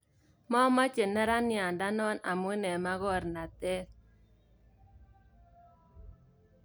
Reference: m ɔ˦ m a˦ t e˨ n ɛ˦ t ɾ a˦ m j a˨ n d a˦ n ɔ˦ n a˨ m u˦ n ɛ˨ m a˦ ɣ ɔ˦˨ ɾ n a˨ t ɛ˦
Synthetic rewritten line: m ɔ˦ m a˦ t͡ʃ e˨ n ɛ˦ ɾ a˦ n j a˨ n d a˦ n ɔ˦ n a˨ m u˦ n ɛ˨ m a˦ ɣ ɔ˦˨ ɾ n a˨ t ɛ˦